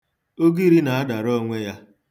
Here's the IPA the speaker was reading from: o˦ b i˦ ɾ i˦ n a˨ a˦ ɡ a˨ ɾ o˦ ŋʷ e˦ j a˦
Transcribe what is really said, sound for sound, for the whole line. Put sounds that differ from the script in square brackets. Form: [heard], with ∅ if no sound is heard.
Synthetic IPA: o˦ [ɡ] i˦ ɾ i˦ n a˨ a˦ [d] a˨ ɾ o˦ ŋʷ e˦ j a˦